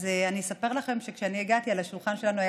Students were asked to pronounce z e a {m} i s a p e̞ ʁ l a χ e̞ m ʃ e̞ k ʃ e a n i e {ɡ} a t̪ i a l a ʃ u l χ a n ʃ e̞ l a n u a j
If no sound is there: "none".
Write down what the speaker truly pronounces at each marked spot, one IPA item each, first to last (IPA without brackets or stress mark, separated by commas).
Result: n, ɡ